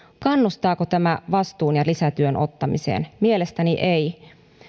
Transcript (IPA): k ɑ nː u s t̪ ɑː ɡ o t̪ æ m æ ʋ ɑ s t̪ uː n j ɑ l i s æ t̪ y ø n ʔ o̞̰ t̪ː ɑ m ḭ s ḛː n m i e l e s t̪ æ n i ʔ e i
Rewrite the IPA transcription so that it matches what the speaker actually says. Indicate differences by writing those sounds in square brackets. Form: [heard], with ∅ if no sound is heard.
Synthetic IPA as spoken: k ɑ nː u s t̪ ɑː [k] o t̪ æ m æ ʋ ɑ s t̪ uː n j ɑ l i s æ t̪ y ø n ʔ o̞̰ t̪ː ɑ m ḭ s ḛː n m i e l e s t̪ æ n i ʔ e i

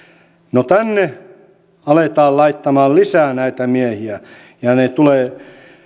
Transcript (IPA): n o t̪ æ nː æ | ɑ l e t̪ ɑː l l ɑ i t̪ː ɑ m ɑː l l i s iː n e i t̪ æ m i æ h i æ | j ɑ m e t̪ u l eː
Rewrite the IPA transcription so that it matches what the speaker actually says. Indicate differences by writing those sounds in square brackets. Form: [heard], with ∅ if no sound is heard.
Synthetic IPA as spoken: n o t̪ æ nː [e] | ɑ l e t̪ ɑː l l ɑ i t̪ː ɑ m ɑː l l i s [æː] n [æ] i t̪ æ m i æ h i æ | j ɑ [n] e t̪ u l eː

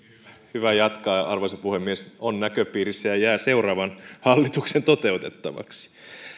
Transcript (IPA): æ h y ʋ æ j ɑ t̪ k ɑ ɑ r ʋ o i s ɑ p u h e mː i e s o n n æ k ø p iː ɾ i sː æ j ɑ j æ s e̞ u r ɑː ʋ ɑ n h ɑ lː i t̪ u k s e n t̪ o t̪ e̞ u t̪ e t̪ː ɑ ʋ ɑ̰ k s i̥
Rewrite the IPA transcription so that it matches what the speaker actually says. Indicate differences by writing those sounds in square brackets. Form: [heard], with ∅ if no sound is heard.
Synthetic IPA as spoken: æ h y ʋ æ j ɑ t̪ k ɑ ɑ r ʋ o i s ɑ p u h e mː i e s o n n æ k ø p iː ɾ i sː æ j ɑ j [æː] s e̞ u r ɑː ʋ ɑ n h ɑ lː i t̪ u k s e n t̪ o t̪ e̞ u t̪ e t̪ː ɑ ʋ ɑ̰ k s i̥

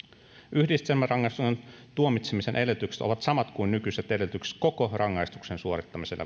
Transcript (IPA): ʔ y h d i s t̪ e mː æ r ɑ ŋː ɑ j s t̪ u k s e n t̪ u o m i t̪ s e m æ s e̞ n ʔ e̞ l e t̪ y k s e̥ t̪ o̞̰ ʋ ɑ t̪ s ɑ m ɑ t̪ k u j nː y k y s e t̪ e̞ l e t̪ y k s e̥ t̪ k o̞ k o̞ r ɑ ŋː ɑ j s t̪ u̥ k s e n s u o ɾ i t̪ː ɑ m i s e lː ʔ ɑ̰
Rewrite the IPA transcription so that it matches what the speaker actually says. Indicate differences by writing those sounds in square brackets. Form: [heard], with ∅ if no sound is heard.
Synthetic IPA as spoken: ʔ y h d i s t̪ e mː æ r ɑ ŋː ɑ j s t̪ u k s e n t̪ u o m i t̪ s e m [i] s e̞ n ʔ e̞ l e t̪ y k s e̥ t̪ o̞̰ ʋ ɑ t̪ s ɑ m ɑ t̪ k u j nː y k y s e t̪ e̞ l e t̪ y k s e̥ t̪ k o̞ k o̞ r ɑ ŋː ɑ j s t̪ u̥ k s e n s u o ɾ i t̪ː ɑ m i s e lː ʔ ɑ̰

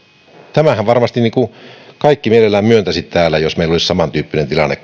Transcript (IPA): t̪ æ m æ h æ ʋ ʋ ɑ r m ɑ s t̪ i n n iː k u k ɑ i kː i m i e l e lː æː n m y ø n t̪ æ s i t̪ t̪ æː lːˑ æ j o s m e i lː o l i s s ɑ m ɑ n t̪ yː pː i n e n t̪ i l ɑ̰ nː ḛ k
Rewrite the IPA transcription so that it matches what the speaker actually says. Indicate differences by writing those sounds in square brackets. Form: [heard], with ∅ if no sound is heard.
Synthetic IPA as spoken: t̪ æ m æ h æ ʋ ʋ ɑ r m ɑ s t̪ i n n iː k u k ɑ i kː i m i e l e lː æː [m] m y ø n t̪ æ s i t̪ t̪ æː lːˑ æ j o s m e i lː o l i s s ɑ m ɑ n t̪ yː pː i n e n t̪ i l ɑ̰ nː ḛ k

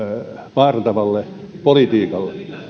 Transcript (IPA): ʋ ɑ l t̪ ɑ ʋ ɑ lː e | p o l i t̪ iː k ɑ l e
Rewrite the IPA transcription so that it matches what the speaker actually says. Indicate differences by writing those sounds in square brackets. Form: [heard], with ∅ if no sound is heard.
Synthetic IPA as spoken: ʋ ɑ [r] t̪ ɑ ʋ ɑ lː e | p o l i t̪ iː k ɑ [lː] e

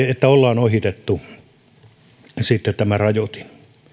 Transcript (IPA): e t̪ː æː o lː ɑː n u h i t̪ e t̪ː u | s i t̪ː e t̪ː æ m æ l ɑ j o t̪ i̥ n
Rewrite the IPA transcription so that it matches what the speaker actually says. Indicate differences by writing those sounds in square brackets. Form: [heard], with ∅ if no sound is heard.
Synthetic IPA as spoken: e t̪ː [æ] o lː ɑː n [o] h i t̪ e t̪ː u | s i t̪ː e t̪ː æ m æ [r] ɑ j o t̪ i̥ n

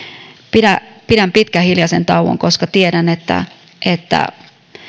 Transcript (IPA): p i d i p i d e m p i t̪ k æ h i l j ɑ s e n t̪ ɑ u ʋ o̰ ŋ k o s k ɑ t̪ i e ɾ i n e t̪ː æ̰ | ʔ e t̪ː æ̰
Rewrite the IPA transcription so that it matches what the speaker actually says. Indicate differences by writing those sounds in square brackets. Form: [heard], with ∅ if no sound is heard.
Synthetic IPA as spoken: p i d [æ] p i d [æ] m p i t̪ k æ h i l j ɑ s e n t̪ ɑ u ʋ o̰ ŋ k o s k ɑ t̪ i e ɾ [æ] n e t̪ː æ̰ | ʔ e t̪ː æ̰

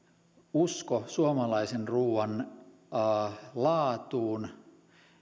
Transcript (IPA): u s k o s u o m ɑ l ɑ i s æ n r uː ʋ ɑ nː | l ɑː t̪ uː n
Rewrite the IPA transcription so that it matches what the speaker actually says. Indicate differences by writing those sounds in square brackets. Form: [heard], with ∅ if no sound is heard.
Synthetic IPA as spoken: u s k o s u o m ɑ l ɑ i s [e] n r uː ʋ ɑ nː | l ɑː t̪ uː n

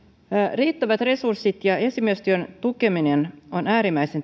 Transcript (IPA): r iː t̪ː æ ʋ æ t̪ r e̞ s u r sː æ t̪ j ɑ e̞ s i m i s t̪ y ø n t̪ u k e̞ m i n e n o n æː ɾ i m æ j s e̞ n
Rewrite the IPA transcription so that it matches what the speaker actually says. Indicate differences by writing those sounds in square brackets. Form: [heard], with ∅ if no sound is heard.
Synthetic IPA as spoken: r iː t̪ː æ ʋ æ t̪ r e̞ s u r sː [i] t̪ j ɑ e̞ s i m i s t̪ y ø n t̪ u k e̞ m i n e n o n æː ɾ i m æ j s e̞ n

